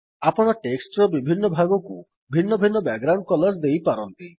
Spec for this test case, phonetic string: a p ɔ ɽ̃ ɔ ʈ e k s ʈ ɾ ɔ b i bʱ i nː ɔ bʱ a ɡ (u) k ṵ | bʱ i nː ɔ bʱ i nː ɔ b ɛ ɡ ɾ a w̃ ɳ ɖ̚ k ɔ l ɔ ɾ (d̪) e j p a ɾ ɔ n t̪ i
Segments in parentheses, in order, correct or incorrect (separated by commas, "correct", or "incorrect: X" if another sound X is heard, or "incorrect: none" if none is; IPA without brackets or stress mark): incorrect: ɔ, correct